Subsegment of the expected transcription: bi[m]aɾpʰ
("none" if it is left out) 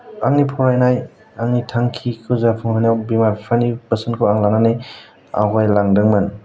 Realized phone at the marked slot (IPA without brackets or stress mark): m